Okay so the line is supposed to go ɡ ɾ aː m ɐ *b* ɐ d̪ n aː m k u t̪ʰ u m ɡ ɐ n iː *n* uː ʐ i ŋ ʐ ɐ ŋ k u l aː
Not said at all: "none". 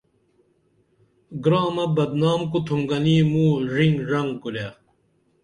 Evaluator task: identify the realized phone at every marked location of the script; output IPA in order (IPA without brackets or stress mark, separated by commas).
b, m